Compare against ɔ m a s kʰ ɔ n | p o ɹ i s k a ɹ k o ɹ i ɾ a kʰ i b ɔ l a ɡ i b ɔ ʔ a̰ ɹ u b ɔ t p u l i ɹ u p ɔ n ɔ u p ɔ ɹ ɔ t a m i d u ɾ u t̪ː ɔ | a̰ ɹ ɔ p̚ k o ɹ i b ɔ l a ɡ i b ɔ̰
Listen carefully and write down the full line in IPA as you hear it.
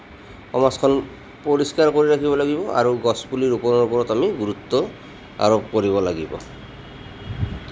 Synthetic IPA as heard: ɔ m a s kʰ ɔ n | p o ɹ i s k a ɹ k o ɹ i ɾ a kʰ i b ɔ l a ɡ i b ɔ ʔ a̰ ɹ u ɡ ɔ s p u l i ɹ u p ɔ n ɔ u p ɔ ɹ ɔ t a m i ɡ u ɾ u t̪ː ɔ | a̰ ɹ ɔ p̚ k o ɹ i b ɔ l a ɡ i b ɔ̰